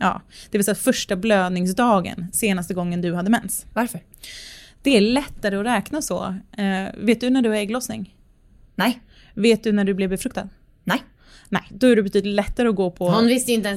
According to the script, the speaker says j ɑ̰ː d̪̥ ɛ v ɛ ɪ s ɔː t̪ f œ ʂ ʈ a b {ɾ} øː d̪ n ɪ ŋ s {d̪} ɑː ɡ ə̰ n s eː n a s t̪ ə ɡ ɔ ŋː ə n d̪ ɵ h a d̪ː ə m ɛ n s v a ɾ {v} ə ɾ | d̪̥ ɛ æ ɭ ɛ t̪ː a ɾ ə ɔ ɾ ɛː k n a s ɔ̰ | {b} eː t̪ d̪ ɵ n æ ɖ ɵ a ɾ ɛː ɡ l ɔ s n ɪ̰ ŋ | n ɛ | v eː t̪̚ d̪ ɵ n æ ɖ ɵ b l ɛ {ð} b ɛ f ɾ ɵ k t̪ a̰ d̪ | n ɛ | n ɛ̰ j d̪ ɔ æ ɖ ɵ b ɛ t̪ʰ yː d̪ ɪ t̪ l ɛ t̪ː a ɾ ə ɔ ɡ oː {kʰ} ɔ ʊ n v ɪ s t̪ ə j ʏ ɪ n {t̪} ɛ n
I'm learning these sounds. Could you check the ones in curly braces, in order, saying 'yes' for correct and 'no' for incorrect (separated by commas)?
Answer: no, yes, no, no, no, no, yes